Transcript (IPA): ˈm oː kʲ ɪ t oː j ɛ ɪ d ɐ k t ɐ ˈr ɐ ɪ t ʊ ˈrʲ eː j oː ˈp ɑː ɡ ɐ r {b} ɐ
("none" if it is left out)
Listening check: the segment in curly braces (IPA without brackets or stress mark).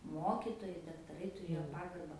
b